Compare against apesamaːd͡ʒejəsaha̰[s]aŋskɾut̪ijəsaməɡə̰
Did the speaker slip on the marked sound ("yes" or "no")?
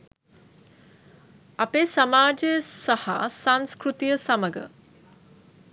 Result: no